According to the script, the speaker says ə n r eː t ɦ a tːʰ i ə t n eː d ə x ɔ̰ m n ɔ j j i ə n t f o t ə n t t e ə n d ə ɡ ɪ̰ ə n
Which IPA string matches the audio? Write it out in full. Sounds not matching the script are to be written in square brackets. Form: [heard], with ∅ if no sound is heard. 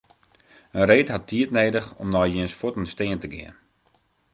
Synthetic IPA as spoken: ə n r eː t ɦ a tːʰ i ə t n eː d ə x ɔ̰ m n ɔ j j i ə n [s] f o t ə n [s] t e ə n [t] ə ɡ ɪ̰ ə n